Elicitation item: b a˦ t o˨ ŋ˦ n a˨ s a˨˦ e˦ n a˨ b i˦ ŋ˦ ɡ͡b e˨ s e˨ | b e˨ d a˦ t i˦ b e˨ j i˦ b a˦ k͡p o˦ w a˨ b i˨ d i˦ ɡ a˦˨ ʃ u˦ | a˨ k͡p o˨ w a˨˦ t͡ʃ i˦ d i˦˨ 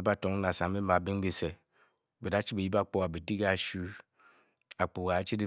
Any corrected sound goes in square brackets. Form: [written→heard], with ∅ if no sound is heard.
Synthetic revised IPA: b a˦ t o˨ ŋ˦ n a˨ s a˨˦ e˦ [n→m] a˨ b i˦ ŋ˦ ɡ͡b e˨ s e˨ | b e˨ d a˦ [t→t͡ʃ] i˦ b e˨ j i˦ b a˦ k͡p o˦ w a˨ b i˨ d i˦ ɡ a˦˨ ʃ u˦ | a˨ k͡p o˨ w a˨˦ t͡ʃ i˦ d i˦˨